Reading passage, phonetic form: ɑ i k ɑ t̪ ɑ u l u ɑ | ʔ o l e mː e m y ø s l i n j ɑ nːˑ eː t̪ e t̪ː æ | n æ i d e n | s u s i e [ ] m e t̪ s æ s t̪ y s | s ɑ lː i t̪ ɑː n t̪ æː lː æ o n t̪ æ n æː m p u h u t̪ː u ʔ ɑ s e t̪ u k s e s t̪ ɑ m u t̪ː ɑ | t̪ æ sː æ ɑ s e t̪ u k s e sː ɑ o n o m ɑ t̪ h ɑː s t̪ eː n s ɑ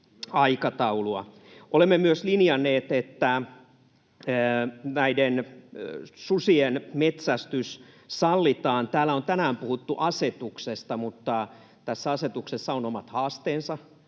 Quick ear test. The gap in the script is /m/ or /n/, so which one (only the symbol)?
n